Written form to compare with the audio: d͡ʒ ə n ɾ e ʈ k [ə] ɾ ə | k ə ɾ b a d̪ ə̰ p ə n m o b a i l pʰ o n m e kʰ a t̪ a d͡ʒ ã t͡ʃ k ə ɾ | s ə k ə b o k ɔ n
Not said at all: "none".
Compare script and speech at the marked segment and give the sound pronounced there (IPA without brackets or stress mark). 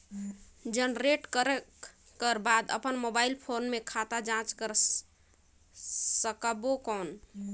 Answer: ə